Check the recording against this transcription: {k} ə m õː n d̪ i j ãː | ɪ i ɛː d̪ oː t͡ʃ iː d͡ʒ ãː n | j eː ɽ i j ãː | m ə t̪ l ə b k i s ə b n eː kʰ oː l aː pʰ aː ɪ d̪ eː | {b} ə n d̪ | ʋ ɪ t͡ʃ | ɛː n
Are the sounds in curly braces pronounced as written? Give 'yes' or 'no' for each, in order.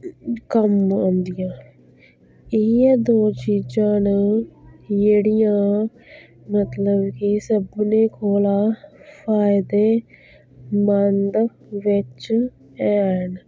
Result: yes, no

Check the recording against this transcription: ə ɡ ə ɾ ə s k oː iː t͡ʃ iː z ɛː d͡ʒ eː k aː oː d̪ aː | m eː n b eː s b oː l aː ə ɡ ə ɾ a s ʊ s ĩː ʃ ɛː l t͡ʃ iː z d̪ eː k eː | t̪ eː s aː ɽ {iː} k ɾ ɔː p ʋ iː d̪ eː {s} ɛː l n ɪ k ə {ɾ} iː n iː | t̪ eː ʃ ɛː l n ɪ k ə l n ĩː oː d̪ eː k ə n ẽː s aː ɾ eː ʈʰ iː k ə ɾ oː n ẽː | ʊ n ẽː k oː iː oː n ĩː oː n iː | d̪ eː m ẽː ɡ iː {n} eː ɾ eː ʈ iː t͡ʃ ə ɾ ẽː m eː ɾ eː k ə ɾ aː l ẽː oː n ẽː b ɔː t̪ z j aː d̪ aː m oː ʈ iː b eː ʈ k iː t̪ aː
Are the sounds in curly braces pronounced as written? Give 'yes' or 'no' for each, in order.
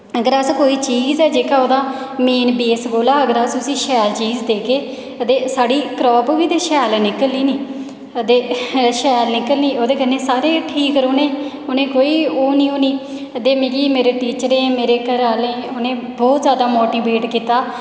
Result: yes, no, no, no

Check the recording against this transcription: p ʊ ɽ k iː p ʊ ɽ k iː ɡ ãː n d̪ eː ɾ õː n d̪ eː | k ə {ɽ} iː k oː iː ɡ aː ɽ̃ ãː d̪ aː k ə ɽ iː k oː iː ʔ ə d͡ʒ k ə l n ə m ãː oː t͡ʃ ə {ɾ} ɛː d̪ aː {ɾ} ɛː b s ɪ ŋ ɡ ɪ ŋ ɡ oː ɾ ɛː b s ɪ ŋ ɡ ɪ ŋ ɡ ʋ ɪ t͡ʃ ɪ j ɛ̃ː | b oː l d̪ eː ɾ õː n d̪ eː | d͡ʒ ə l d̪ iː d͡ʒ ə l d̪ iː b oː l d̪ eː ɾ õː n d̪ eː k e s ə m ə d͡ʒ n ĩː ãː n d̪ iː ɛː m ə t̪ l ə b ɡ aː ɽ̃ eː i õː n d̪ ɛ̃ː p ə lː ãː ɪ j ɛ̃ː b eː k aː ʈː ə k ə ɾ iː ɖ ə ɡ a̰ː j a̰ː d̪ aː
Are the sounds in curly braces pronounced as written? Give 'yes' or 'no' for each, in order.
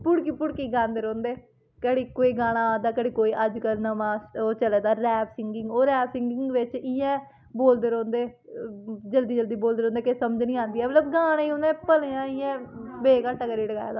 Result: yes, no, yes

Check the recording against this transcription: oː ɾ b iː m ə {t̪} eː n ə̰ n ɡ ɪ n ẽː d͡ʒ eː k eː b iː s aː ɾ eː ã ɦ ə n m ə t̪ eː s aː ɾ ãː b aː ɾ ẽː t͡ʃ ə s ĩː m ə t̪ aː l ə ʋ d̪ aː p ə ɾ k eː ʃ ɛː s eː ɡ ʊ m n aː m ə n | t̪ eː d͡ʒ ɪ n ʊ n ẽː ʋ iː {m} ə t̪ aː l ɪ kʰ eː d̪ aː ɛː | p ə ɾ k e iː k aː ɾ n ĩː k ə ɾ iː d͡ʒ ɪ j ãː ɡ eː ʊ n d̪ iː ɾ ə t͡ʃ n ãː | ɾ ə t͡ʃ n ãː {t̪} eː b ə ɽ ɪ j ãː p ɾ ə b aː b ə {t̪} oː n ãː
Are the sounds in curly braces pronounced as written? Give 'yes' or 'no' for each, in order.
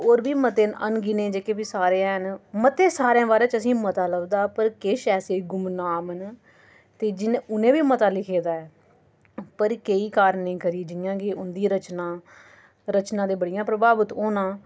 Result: yes, yes, no, yes

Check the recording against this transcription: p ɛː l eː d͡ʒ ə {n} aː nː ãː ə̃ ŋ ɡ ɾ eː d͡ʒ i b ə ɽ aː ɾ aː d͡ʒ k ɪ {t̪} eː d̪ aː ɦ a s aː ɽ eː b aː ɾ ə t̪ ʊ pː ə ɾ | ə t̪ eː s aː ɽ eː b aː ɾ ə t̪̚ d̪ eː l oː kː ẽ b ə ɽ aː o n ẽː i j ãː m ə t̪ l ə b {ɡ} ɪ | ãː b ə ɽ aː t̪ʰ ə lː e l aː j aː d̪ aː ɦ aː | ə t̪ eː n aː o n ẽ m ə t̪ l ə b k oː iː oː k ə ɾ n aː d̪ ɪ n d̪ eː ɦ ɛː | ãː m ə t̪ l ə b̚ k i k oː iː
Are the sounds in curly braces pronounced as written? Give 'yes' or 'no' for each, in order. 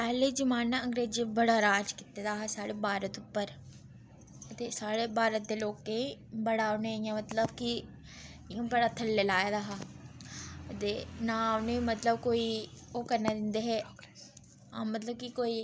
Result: no, yes, no

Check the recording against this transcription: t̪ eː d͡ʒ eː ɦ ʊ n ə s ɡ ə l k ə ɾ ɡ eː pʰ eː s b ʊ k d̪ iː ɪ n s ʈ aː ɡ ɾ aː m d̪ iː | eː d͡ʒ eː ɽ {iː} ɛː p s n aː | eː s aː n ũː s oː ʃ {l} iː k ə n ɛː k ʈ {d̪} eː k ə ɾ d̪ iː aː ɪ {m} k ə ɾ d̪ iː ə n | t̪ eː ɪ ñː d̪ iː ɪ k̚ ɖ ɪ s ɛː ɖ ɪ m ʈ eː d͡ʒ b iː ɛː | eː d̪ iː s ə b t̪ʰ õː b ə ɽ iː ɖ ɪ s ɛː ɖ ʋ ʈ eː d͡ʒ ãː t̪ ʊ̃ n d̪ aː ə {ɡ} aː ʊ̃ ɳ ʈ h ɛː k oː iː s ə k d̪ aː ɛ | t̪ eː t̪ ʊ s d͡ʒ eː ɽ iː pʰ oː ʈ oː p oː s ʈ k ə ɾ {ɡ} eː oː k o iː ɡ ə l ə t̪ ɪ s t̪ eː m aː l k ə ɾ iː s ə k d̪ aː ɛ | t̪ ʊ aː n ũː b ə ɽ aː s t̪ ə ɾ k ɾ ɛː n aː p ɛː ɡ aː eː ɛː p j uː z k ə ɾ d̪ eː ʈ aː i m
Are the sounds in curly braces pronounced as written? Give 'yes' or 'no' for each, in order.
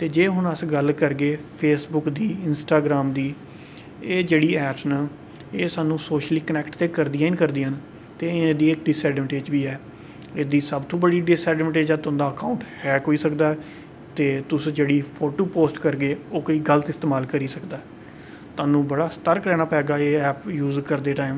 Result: yes, yes, no, no, no, yes

